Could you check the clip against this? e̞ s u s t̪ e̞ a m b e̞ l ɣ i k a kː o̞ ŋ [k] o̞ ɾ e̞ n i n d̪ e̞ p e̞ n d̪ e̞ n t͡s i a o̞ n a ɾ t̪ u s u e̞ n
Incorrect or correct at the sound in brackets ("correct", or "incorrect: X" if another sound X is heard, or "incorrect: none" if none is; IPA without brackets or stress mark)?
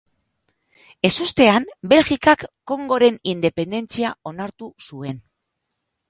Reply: incorrect: ɡ